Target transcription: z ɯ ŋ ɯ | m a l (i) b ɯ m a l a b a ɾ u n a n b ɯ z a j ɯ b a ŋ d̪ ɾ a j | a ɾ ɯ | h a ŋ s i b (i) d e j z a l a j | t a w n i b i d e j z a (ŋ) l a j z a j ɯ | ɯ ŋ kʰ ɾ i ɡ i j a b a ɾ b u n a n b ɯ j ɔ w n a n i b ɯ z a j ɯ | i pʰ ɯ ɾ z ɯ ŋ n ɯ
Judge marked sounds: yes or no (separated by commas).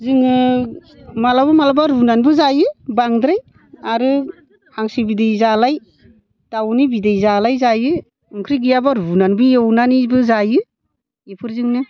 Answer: no, yes, no